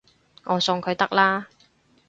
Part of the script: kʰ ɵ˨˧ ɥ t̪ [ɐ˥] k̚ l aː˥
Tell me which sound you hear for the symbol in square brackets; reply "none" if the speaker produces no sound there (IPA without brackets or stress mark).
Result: ɐ˥